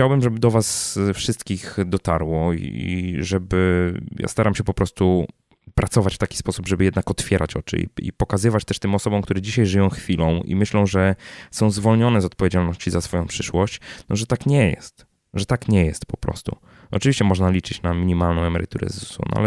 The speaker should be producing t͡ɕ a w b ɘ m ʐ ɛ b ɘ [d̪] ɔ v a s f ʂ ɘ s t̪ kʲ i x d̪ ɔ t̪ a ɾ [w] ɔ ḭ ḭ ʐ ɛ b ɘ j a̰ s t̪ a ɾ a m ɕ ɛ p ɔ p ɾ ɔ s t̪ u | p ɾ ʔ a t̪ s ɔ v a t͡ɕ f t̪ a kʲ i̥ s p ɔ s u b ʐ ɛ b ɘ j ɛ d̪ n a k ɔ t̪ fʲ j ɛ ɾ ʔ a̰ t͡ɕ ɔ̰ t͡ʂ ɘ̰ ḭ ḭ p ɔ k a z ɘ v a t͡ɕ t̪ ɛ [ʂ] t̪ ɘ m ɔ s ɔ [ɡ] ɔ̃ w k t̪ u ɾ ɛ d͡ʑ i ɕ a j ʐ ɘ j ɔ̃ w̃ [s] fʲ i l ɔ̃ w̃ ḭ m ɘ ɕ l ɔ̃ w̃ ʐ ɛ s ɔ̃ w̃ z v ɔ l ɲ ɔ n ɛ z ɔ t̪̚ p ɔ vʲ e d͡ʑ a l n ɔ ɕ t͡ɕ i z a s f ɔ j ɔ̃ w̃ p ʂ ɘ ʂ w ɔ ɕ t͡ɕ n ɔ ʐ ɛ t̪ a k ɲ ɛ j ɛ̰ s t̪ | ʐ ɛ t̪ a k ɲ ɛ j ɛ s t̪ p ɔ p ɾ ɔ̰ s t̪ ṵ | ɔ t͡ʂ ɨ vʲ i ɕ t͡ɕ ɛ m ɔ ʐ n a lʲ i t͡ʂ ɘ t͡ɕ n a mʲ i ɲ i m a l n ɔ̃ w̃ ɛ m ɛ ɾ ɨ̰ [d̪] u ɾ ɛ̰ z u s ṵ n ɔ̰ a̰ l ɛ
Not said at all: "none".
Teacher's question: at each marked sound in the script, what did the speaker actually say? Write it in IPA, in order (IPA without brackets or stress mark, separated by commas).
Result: d̪, w, ʂ, b, x, t̪